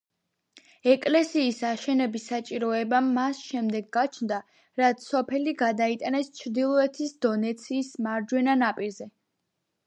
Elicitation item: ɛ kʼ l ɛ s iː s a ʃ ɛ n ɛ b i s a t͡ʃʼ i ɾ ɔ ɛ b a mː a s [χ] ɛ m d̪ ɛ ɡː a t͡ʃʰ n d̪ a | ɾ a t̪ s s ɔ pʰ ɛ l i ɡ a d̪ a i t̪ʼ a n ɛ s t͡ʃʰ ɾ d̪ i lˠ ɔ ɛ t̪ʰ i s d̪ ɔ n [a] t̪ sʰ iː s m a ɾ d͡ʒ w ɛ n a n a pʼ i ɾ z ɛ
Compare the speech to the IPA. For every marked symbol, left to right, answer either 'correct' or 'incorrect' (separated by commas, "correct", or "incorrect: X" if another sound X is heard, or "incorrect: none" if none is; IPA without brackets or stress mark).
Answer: incorrect: ʃ, incorrect: ɛ